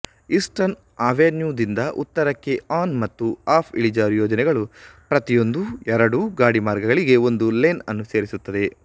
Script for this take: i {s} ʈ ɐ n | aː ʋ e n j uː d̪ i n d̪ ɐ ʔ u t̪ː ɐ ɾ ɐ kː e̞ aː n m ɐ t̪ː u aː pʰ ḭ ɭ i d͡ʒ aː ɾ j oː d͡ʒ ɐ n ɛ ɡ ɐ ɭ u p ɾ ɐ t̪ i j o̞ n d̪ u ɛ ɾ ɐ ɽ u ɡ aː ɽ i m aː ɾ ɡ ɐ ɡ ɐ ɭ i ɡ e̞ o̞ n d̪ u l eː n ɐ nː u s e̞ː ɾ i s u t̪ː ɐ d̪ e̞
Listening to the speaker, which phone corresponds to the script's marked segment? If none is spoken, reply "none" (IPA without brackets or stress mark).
s